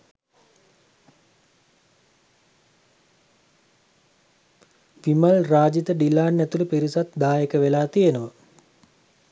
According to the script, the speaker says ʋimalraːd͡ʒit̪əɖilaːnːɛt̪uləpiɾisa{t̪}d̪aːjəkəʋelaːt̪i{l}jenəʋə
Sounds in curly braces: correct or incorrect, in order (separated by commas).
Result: correct, incorrect